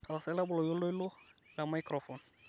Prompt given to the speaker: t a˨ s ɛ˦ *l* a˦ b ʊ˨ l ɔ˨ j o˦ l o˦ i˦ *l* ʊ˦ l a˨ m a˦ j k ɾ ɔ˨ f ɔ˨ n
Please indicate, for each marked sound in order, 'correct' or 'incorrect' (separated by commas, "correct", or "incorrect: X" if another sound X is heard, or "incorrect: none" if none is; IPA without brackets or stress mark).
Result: correct, correct